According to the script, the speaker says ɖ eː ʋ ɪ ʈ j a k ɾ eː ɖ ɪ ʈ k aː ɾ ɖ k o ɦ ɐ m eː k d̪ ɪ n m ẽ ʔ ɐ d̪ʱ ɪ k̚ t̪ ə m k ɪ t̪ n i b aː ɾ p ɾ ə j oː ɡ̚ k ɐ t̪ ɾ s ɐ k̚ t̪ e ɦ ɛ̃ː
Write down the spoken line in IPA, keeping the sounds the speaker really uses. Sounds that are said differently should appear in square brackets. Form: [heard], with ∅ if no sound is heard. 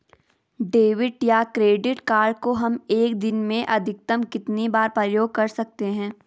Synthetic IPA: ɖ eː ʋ ɪ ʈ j a k ɾ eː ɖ ɪ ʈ k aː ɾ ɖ k o ɦ ɐ m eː k d̪ ɪ n m ẽ ʔ ɐ d̪ʱ ɪ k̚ t̪ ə m k ɪ t̪ n i b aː ɾ p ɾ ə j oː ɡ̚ k ɐ [∅] ɾ s ɐ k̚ t̪ e ɦ ɛ̃ː